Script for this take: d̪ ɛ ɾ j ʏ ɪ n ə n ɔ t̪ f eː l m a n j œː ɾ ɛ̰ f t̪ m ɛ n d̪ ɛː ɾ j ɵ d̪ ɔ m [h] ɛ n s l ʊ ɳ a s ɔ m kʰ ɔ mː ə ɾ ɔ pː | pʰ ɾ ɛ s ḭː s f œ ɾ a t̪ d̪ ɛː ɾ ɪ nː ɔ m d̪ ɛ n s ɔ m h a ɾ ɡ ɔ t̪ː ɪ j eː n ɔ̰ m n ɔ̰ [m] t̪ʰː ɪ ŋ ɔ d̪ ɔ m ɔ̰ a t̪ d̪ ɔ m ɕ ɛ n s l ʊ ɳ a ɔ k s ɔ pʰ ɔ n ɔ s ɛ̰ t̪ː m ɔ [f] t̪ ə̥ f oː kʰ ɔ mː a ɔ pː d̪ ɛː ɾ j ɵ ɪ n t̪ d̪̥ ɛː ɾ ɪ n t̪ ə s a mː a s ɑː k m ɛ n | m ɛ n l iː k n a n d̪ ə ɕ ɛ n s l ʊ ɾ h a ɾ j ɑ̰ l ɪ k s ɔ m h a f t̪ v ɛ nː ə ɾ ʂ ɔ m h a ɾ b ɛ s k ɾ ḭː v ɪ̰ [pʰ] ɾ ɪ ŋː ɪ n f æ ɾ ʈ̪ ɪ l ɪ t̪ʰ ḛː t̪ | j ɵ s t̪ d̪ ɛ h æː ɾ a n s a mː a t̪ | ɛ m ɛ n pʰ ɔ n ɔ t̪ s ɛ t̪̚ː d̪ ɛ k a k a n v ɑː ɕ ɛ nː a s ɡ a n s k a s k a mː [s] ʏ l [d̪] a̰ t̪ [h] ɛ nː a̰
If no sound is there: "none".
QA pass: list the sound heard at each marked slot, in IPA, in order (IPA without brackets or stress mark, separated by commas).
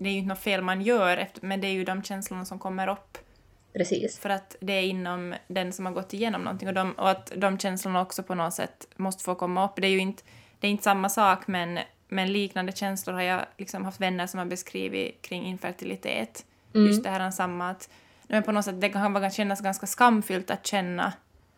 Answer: ɕ, n, s, kʰ, f, t̪, ɕ